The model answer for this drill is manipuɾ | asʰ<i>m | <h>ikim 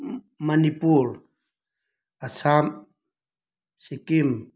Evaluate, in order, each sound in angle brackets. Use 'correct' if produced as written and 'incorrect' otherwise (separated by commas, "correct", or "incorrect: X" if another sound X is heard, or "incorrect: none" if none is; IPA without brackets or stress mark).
incorrect: a, incorrect: s